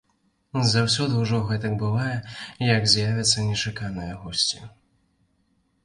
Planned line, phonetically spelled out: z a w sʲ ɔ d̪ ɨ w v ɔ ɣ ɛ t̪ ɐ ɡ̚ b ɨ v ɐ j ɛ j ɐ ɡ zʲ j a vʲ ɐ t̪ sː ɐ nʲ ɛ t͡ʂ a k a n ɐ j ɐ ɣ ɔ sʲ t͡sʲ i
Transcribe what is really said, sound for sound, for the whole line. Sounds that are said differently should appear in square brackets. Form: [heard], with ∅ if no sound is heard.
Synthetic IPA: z a w sʲ ɔ d̪ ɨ w [ʐ] ɔ ɣ ɛ t̪ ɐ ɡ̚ b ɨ v [a] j ɛ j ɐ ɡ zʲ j a vʲ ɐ t̪ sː ɐ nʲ ɛ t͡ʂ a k a n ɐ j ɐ ɣ ɔ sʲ t͡sʲ i

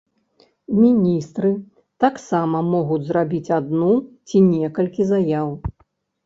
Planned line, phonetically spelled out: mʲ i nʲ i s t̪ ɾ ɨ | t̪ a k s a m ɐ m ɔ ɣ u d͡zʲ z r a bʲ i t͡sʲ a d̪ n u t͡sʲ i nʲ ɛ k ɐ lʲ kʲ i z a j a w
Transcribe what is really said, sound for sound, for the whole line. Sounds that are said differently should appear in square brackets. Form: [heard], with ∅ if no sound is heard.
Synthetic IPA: mʲ i nʲ i s t̪ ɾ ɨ | t̪ a k s a m ɐ m ɔ ɣ u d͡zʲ z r a bʲ i t͡sʲ a d̪ n u t͡sʲ i nʲ ɛ k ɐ lʲ kʲ i z a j a w

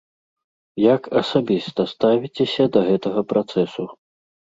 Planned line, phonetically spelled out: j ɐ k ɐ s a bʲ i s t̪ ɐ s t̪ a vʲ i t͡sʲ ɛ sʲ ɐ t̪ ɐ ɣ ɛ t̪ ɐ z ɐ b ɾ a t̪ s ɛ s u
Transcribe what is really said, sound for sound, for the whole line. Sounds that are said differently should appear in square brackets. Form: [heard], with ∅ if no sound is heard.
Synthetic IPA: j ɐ k ɐ s a bʲ i s t̪ ɐ s t̪ a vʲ i t͡sʲ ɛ sʲ ɐ [d̪] ɐ ɣ ɛ t̪ ɐ [ɣ] ɐ [p] ɾ a t̪ s ɛ s u

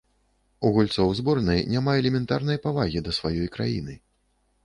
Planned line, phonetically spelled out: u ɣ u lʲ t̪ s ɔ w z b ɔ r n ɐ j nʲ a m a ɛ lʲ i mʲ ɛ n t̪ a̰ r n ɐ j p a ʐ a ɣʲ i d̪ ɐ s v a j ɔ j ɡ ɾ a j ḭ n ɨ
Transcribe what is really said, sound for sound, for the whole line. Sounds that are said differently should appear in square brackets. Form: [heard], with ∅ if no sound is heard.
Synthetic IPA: u ɣ u lʲ t̪ s ɔ w z b ɔ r n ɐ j nʲ a m a ɛ lʲ [ɛ] mʲ ɛ n t̪ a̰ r n ɐ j p a [v] a ɣʲ i d̪ ɐ s v a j ɔ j [k] ɾ a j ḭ n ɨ

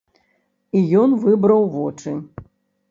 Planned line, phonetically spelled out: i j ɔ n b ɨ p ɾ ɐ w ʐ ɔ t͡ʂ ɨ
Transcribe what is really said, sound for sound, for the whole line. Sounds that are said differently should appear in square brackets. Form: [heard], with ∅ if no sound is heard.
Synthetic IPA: i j ɔ n [v] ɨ [b] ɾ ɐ w [v] ɔ t͡ʂ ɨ

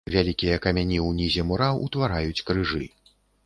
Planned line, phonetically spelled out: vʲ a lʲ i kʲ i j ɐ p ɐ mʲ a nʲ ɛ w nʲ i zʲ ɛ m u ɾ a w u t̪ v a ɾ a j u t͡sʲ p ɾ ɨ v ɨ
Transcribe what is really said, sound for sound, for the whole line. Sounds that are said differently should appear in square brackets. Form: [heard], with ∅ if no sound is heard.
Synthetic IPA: vʲ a lʲ i kʲ i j ɐ [k] ɐ mʲ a nʲ [i] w nʲ i zʲ ɛ m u ɾ a w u t̪ v a ɾ a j u t͡sʲ [k] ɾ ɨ [ʐ] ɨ

